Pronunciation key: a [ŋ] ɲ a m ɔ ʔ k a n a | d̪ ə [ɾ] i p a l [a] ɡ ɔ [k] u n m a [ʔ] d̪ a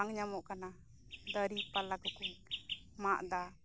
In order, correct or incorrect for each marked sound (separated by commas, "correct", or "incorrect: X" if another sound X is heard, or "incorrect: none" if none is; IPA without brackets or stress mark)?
correct, correct, correct, correct, correct